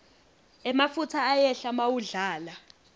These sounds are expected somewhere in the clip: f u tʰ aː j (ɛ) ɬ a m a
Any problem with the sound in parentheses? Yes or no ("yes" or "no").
no